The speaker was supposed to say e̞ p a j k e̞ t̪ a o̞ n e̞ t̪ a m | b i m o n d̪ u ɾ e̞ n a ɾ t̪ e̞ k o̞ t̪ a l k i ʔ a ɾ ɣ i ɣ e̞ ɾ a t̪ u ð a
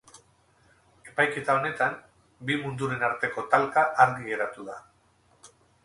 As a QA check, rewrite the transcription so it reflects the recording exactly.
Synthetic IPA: e̞ p a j k e̞ t̪ a o̞ n e̞ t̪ a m | b i m u n d̪ u ɾ e̞ n a ɾ t̪ e̞ k o̞ t̪ a l k a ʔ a ɾ ɣ i ɣ e̞ ɾ a t̪ u ð a